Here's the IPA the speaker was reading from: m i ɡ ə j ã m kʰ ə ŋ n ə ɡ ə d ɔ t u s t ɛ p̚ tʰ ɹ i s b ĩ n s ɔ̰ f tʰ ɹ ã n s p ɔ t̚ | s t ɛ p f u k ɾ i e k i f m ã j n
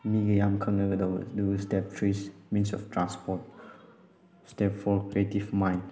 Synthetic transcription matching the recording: m i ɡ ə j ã m kʰ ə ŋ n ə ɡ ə d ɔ d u s t ɛ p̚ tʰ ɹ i s m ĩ n s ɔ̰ f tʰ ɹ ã n s p ɔ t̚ | s t ɛ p f ɔ k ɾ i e t i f m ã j n